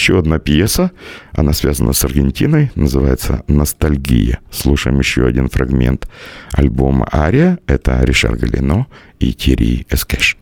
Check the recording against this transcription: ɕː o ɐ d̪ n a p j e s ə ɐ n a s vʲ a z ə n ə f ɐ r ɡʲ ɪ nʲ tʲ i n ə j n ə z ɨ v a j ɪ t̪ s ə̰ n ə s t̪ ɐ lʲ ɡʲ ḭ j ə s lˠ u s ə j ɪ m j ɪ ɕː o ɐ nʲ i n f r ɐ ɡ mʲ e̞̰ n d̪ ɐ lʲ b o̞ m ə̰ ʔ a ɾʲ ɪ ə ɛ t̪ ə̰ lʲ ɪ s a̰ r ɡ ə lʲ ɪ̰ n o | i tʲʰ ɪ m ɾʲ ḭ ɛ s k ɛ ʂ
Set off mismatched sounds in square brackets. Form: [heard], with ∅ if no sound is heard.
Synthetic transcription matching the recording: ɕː o ɐ d̪ n a p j e s ə ɐ n a s vʲ a z ə n ə [s] ɐ r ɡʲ ɪ nʲ tʲ i n ə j n ə z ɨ v a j ɪ t̪ s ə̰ n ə s t̪ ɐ lʲ ɡʲ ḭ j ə s lˠ u [ʂ] ə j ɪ m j ɪ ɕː o ɐ [dʲ] i n f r ɐ ɡ mʲ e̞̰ n [t̪] ɐ lʲ b o̞ m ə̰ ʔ a ɾʲ ɪ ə ɛ t̪ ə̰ [ɾʲ] ɪ [ʂ] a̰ r ɡ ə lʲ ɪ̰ n o | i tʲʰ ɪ [∅] ɾʲ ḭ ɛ s k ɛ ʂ